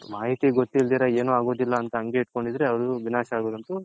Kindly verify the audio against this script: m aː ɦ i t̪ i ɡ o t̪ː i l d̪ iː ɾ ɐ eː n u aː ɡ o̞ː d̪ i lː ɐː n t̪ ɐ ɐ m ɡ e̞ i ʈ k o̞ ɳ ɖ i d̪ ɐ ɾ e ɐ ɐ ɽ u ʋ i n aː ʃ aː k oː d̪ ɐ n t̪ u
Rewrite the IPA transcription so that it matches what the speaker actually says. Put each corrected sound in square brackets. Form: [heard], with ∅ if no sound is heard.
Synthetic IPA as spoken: m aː ɦ i t̪ i ɡ o t̪ː i l d̪ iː ɾ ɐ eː n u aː ɡ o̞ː d̪ i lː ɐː n t̪ ɐ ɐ [ŋ] ɡ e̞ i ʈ k o̞ ɳ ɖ i d̪ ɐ ɾ e ɐ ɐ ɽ u ʋ i n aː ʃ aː [ɡ] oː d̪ ɐ n t̪ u